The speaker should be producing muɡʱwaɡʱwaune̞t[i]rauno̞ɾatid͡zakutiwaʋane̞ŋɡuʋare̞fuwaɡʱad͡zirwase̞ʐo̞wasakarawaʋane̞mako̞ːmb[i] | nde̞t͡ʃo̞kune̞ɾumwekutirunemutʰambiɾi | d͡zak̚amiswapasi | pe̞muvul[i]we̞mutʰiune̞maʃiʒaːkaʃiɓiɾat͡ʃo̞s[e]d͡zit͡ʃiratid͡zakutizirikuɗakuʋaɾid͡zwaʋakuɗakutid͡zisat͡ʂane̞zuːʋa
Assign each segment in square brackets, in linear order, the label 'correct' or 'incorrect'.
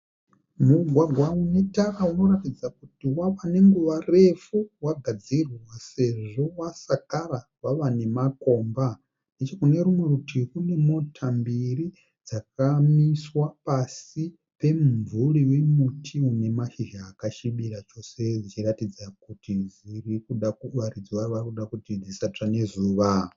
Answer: incorrect, incorrect, correct, correct

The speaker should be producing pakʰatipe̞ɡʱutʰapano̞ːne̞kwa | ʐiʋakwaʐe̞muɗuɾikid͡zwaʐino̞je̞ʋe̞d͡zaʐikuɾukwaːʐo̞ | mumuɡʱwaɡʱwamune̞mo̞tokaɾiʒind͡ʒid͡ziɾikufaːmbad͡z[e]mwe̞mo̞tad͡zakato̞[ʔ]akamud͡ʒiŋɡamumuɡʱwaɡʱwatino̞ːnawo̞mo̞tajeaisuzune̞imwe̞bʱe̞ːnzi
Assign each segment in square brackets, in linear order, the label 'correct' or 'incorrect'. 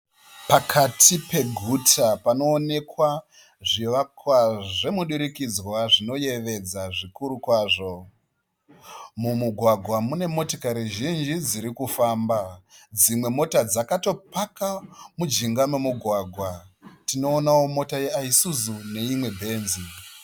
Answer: incorrect, incorrect

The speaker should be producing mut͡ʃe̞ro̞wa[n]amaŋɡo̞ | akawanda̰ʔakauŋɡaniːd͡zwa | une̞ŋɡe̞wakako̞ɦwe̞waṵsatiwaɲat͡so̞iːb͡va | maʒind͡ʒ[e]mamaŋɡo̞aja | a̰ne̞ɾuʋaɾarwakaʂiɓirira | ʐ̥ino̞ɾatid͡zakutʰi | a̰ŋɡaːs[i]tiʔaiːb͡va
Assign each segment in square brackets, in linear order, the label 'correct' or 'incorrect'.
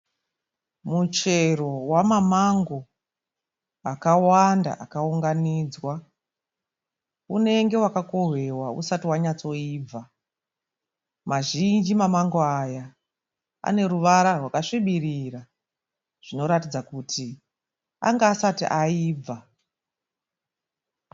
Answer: incorrect, incorrect, incorrect

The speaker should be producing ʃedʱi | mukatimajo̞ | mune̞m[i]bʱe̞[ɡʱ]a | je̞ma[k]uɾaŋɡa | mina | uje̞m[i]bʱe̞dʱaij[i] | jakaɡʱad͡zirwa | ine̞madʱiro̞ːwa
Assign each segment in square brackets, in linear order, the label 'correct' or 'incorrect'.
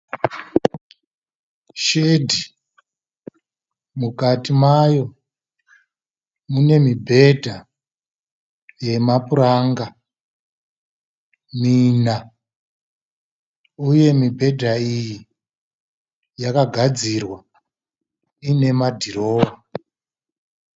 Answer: correct, incorrect, incorrect, correct, correct

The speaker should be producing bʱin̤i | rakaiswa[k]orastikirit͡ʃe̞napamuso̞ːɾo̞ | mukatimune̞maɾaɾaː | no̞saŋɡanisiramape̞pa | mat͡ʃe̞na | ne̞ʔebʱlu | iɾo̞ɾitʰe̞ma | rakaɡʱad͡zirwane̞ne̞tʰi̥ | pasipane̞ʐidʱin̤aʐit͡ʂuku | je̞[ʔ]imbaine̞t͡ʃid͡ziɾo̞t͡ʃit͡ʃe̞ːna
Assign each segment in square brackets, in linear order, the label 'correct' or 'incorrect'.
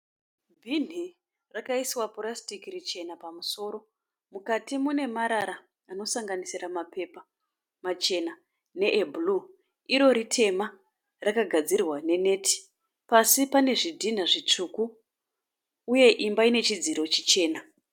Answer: incorrect, correct

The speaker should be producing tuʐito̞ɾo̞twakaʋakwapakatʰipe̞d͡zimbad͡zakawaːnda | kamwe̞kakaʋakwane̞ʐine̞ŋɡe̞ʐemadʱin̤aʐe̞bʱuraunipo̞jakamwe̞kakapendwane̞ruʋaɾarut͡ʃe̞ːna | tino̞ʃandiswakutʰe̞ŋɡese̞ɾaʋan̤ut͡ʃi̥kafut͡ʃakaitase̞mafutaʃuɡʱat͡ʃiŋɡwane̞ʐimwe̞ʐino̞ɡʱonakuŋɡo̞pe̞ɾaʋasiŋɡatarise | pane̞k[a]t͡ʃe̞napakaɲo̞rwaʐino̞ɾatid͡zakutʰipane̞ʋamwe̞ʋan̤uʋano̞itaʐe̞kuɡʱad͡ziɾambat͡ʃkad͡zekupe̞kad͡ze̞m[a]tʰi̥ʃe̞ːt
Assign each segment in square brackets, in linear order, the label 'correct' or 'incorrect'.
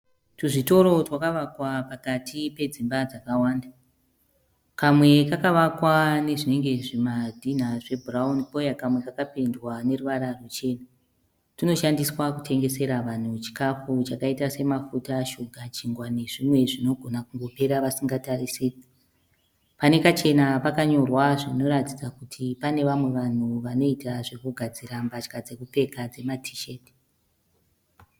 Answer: correct, correct

